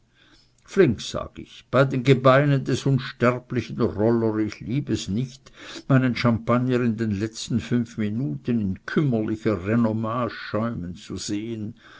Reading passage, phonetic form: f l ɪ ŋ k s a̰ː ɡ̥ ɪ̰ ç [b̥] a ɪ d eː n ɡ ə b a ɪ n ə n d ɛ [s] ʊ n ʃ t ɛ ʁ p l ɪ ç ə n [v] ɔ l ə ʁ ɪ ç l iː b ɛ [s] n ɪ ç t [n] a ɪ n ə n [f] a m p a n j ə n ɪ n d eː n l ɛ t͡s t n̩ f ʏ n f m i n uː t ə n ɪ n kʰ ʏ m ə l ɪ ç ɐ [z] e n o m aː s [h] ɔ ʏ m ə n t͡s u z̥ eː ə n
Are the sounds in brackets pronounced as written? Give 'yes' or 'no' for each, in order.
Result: yes, yes, no, yes, no, no, no, no

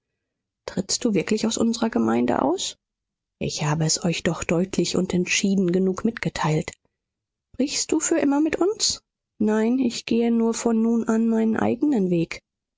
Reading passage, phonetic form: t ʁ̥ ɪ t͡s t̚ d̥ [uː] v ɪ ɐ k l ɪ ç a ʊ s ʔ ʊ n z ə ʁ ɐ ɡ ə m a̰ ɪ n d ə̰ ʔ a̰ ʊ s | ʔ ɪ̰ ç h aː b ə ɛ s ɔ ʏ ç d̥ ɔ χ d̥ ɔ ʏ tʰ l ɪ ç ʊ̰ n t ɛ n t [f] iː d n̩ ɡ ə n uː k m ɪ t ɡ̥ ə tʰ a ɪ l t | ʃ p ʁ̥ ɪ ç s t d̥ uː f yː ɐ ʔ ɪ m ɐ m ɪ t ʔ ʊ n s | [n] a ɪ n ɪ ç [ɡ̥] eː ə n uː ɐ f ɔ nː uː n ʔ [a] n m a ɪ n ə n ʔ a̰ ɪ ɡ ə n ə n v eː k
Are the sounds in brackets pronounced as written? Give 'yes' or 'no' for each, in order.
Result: yes, no, yes, yes, yes

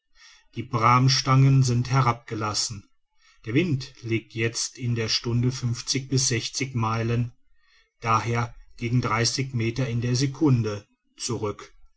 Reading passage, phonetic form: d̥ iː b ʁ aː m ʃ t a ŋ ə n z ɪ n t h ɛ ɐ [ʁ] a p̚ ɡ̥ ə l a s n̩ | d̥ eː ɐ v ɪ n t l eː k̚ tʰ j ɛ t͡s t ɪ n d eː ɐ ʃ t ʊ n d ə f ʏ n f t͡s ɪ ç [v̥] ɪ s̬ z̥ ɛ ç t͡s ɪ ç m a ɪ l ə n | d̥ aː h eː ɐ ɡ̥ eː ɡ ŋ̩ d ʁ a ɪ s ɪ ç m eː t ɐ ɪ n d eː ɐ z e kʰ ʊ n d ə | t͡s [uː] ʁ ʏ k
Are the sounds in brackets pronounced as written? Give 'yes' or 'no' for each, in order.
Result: yes, no, no

